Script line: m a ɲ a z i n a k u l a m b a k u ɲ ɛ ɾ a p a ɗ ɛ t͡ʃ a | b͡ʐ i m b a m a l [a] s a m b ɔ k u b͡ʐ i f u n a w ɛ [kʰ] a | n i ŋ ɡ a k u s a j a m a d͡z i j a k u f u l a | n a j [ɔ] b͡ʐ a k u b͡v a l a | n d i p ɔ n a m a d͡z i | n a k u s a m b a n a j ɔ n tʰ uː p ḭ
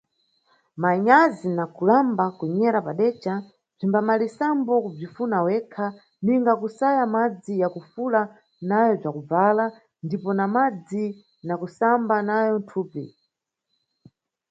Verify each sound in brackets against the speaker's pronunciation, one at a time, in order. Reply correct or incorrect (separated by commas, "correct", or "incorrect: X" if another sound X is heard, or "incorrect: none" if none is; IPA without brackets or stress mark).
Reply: incorrect: i, correct, correct